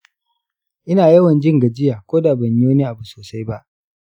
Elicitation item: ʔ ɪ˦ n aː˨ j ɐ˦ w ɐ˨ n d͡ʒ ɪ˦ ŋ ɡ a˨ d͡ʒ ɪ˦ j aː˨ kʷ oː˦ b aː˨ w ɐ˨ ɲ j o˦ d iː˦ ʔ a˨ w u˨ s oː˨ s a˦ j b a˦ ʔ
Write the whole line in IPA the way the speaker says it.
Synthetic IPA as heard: ʔ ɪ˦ n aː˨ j ɐ˦ w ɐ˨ n d͡ʒ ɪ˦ ŋ ɡ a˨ d͡ʒ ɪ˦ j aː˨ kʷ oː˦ d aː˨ b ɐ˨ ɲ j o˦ n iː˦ ʔ a˨ b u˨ s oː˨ s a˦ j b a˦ ʔ